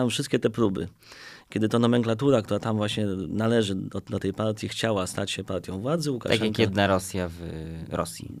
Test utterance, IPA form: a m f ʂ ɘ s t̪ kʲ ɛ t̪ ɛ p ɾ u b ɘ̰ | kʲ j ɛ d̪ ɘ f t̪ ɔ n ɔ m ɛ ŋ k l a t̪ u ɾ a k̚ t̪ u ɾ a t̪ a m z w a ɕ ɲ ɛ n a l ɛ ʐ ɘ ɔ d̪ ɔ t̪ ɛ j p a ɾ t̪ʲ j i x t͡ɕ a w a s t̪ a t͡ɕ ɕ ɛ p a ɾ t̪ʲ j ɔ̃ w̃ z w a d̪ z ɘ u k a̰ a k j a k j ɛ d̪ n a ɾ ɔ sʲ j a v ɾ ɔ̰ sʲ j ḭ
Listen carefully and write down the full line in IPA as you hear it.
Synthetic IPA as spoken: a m f ʂ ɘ s t̪ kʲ ɛ t̪ ɛ p ɾ u b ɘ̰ | kʲ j ɛ d̪ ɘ t̪ ɔ n ɔ m ɛ ŋ k l a t̪ u ɾ a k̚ t̪ u ɾ a t̪ a m v w a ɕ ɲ ɛ n a l ɛ ʐ ɘ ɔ d̪ ɔ t̪ ɛ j p a ɾ t̪ʲ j i x t͡ɕ a w a s t̪ a t͡ɕ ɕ ɛ p a ɾ t̪ʲ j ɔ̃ w̃ v w a d̪ z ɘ u k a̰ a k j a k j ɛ d̪ n a ɾ ɔ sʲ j a v ɾ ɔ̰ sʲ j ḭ